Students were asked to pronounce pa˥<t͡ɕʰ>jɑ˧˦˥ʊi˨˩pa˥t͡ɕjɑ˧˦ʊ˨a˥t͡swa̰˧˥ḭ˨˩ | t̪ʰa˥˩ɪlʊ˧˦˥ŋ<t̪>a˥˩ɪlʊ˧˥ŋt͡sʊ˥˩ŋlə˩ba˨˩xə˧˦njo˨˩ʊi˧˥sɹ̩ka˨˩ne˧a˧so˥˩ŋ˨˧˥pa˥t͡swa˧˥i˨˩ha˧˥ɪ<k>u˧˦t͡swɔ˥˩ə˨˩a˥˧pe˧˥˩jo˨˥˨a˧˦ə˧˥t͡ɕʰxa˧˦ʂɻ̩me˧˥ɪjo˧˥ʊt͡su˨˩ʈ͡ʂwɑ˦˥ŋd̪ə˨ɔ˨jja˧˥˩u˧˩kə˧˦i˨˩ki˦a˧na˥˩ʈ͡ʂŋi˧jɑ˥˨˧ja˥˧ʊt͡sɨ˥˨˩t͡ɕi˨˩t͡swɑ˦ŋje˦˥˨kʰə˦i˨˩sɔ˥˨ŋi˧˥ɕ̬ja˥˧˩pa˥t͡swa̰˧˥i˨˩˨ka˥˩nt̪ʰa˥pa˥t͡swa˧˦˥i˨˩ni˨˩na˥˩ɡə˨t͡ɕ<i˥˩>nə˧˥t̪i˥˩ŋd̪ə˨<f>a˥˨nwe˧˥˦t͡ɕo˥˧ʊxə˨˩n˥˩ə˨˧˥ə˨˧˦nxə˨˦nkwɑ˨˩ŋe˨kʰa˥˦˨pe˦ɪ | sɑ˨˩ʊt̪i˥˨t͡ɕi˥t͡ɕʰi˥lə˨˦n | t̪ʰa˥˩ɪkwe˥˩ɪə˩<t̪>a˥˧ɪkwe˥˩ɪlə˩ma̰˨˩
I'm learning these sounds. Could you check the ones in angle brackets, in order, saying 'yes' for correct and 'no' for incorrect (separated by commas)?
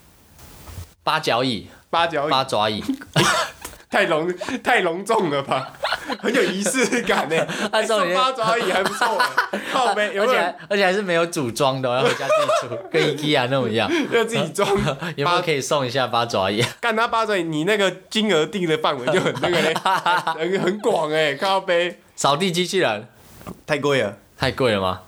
no, no, no, no, yes, no